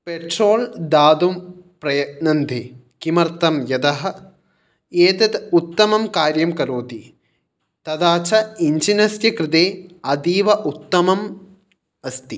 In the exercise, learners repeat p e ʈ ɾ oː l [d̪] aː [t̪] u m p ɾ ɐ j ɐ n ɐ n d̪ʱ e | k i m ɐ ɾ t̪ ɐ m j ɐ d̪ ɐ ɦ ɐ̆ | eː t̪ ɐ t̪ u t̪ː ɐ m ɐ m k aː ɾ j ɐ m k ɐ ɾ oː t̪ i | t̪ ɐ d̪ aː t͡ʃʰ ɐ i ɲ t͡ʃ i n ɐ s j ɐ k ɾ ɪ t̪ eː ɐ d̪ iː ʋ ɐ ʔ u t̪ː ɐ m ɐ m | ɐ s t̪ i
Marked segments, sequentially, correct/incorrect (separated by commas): correct, incorrect